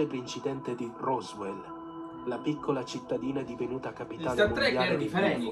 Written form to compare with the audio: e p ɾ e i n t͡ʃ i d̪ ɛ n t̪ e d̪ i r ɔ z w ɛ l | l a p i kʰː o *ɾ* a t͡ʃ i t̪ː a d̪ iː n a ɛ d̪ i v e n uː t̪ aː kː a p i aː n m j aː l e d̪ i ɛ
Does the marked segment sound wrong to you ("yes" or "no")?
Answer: yes